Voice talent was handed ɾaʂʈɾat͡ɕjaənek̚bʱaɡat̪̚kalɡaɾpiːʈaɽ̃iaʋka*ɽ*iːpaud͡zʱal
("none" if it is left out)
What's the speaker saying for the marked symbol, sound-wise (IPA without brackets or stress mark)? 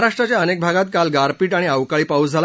ɭ